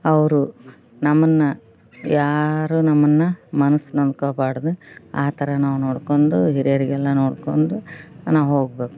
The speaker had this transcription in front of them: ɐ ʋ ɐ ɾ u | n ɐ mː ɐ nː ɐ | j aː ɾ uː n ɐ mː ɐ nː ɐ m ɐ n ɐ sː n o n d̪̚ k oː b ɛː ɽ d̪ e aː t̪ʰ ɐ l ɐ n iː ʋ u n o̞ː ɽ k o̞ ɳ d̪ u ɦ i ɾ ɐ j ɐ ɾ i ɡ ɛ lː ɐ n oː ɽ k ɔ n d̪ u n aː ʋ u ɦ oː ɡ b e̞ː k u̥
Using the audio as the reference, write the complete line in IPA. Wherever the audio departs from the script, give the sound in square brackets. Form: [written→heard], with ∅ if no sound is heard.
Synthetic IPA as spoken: ɐ ʋ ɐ ɾ u | n ɐ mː ɐ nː ɐ | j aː ɾ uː n ɐ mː ɐ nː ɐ m ɐ n ɐ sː n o n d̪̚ k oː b [ɛː→aː] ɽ d̪ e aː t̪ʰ ɐ [l→ɾ] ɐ n [iː→aː] ʋ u n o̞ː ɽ k o̞ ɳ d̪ u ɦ i ɾ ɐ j ɐ ɾ i ɡ ɛ lː ɐ n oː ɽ k [ɔ→o] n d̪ u n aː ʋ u ɦ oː ɡ b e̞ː k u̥